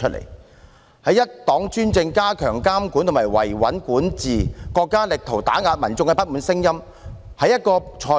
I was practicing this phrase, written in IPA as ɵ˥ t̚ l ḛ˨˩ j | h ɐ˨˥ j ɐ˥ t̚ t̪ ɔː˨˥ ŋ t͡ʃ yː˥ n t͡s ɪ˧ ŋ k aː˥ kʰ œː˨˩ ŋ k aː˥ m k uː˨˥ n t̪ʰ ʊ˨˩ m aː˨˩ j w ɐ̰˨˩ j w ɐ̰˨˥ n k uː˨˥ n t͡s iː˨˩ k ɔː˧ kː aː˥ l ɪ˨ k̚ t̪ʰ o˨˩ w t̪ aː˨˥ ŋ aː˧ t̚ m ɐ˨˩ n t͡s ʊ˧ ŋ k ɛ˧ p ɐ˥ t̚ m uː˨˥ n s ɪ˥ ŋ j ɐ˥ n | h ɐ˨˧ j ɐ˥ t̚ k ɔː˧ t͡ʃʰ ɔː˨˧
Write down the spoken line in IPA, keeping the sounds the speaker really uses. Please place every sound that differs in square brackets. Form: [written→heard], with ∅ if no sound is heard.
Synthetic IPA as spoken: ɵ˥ t̚ l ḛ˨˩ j | h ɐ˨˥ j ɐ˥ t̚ t̪ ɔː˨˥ ŋ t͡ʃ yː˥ n t͡s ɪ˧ ŋ k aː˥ kʰ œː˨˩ ŋ k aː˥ m k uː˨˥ n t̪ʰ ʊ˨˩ m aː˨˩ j w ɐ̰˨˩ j w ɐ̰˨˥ n k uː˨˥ n t͡s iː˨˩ k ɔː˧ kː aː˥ l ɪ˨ k̚ t̪ʰ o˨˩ w t̪ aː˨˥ ŋ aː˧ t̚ m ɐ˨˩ n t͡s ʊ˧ ŋ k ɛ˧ p ɐ˥ t̚ m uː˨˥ n s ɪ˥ ŋ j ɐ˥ [n→m] | h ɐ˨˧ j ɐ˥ t̚ k ɔː˧ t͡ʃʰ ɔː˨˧